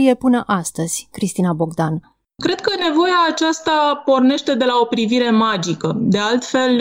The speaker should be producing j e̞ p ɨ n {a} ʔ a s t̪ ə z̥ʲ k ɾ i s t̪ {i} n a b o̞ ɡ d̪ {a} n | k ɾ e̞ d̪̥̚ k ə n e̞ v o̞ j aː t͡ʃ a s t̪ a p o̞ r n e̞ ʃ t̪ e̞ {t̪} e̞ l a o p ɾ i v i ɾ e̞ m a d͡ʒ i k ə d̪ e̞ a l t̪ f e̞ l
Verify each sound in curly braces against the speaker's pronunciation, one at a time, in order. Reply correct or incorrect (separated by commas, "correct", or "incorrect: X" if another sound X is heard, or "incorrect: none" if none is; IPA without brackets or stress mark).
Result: incorrect: ə, correct, correct, incorrect: d̪